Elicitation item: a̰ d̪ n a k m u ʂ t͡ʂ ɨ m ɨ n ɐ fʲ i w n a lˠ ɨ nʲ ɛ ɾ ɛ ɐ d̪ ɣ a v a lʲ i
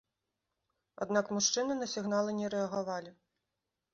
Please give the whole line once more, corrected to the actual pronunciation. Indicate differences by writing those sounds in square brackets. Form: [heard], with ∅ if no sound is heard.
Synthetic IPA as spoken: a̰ d̪ n a k m u ʂ t͡ʂ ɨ [n] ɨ n ɐ [sʲ] i [ɣ] n a lˠ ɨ nʲ ɛ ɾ ɛ ɐ [∅] ɣ a v a lʲ i